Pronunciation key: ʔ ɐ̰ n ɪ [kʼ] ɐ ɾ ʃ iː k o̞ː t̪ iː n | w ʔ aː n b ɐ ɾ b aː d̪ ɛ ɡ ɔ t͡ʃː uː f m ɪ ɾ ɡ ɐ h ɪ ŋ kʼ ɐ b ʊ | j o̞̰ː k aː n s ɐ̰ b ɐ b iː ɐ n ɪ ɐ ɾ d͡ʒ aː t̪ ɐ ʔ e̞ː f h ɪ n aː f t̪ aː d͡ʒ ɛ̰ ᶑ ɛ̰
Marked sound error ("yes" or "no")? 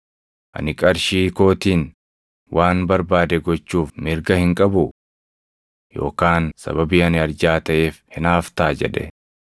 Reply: no